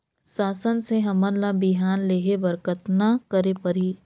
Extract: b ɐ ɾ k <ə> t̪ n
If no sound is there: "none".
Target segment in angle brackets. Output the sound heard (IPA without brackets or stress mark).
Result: ə